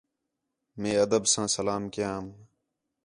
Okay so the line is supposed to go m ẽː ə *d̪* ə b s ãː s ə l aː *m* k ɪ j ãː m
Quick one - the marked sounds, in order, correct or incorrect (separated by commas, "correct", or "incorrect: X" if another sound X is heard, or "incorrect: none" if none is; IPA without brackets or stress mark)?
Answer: correct, correct